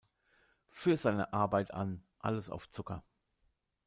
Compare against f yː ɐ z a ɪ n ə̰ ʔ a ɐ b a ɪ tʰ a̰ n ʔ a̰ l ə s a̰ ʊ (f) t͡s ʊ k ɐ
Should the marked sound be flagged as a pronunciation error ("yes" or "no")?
no